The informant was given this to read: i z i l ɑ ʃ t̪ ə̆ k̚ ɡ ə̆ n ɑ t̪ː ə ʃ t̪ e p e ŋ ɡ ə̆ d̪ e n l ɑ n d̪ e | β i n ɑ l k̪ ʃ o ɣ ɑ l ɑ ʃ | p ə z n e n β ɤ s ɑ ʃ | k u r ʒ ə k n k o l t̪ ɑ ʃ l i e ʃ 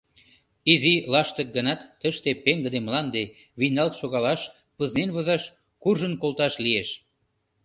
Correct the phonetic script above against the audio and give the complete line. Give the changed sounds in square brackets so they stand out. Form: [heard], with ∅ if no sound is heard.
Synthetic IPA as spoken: i z i l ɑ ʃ t̪ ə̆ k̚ ɡ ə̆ n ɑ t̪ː ə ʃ t̪ e p e ŋ ɡ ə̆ d̪ e [m] l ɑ n d̪ e | β i n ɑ l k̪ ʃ o ɣ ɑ l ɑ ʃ | p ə z n e n β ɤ [z] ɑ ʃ | k u r ʒ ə [∅] n k o l t̪ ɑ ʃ l i e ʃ